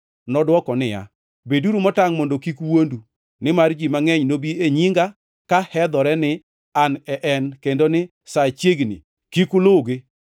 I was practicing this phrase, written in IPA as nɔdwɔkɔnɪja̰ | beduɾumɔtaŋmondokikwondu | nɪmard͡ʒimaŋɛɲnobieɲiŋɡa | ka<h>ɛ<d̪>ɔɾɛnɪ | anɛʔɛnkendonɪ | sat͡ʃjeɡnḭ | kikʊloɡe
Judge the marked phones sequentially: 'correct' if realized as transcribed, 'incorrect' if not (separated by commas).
correct, correct